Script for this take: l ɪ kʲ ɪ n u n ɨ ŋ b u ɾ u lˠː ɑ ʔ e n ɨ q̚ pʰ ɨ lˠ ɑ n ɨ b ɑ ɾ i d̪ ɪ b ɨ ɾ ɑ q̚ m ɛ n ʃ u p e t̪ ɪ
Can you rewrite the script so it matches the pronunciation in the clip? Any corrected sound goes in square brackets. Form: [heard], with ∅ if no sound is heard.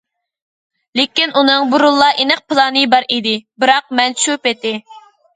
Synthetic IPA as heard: l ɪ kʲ [i] n u n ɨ ŋ b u ɾ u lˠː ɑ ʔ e n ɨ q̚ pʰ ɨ lˠ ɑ n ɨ b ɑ ɾ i d̪ ɪ b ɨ ɾ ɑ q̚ m ɛ n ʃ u p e t̪ ɪ